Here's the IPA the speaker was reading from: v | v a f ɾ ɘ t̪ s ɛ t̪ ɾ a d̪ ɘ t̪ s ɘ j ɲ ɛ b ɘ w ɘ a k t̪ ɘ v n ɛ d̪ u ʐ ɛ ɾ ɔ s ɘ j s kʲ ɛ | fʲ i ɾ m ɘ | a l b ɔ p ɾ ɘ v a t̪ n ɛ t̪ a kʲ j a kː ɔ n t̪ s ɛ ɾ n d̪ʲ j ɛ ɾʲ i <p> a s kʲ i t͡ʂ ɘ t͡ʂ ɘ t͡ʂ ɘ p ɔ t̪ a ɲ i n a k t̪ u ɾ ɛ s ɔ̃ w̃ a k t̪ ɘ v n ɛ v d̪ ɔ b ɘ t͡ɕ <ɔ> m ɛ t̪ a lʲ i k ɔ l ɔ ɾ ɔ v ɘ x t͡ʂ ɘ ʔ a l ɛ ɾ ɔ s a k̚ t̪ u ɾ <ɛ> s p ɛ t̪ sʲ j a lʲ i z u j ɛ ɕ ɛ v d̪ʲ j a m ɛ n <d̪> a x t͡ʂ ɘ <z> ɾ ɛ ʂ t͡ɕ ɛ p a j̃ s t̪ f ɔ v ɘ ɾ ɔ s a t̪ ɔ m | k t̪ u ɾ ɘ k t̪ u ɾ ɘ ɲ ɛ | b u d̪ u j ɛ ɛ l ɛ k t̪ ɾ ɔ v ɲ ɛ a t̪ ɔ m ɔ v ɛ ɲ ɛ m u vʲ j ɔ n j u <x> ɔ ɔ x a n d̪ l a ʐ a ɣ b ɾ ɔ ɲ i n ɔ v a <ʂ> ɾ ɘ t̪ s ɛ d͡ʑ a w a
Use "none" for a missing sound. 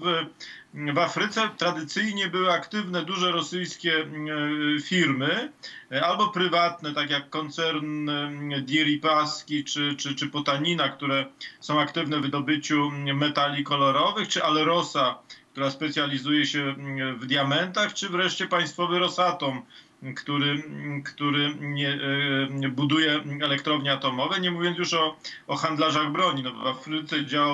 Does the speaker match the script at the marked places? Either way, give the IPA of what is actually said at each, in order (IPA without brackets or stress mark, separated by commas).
p, u, a, t̪, v, ʂ, f